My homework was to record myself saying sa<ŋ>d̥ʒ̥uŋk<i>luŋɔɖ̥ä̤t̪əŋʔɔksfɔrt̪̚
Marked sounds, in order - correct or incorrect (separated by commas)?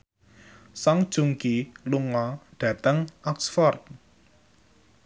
correct, correct